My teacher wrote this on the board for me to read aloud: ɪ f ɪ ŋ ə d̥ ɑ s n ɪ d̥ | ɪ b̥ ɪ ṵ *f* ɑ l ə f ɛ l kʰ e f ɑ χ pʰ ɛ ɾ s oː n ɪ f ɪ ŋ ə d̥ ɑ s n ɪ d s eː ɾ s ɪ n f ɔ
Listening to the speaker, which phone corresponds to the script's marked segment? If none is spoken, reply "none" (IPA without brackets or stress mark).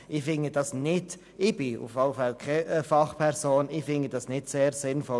f